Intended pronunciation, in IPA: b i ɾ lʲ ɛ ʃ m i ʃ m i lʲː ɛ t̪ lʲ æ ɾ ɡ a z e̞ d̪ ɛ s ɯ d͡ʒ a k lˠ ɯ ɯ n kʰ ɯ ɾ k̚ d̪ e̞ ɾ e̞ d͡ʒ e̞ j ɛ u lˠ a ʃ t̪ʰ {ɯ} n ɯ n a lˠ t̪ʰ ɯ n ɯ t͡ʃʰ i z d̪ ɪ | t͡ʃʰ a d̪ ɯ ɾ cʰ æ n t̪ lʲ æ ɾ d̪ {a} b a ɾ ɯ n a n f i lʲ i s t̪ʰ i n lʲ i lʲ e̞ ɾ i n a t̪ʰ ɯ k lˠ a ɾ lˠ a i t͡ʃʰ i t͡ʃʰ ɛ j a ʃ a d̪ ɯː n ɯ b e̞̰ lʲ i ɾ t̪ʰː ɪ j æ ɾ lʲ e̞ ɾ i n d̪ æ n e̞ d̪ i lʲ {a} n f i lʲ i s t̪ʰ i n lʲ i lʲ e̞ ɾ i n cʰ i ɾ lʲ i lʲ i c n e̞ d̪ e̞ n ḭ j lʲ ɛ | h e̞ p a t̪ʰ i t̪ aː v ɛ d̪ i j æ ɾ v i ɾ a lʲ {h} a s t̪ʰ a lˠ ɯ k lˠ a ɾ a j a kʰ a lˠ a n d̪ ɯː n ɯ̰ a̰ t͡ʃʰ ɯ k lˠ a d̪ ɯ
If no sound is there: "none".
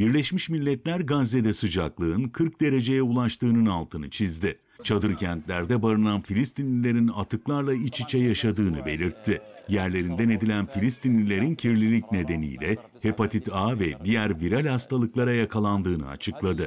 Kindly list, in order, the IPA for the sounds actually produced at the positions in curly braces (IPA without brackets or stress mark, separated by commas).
ɯː, ɛ, æ, h